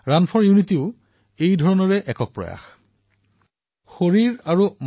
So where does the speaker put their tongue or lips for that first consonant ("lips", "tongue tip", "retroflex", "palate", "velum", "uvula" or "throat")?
tongue tip